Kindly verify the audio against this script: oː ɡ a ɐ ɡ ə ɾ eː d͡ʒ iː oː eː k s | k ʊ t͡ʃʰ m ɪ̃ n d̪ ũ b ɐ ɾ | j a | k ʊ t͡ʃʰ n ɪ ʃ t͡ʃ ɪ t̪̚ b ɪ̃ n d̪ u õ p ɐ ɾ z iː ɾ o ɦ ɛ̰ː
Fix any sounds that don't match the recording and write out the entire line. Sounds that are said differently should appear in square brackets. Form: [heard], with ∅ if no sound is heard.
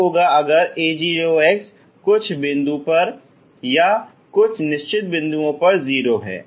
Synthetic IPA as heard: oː ɡ a ɐ ɡ ə ɾ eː d͡ʒ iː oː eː k s | k ʊ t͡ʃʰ [b] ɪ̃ n d̪ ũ [p] ɐ ɾ | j a | k ʊ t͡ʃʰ n ɪ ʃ t͡ʃ ɪ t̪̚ b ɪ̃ n d̪ u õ p ɐ ɾ z iː ɾ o ɦ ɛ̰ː

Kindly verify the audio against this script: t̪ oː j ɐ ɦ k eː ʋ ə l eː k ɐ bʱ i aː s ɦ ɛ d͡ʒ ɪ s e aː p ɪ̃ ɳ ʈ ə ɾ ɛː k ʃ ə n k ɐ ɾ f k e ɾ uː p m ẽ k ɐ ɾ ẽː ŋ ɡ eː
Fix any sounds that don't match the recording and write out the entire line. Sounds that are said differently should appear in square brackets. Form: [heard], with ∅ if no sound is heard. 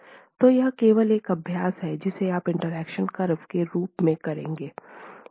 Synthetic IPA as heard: t̪ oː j ɐ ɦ k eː ʋ ə l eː k ɐ bʱ [j] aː s ɦ ɛ d͡ʒ ɪ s e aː p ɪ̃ ɳ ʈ ə ɾ ɛː k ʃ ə n k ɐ ɾ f k e ɾ uː p m ẽ k ɐ ɾ ẽː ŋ ɡ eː

